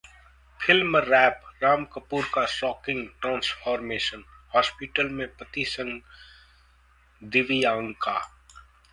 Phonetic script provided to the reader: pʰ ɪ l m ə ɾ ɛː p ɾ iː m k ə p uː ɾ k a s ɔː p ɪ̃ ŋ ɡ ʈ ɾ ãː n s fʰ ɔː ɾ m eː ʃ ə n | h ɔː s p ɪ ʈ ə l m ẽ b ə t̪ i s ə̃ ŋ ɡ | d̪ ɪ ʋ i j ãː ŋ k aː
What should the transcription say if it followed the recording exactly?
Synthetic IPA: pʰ ɪ l m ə ɾ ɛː p ɾ aː m k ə p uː ɾ k a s ɔː k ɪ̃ ŋ ɡ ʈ ɾ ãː n s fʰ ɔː ɾ m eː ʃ ə n | h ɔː s p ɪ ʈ ə l m ẽ p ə t̪ i s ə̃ ŋ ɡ | d̪ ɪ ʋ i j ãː ŋ k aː